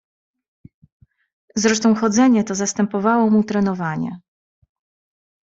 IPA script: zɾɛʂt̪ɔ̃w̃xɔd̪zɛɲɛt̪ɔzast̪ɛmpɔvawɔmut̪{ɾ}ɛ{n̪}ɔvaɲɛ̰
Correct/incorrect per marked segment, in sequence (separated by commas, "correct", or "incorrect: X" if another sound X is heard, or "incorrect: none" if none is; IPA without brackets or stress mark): correct, correct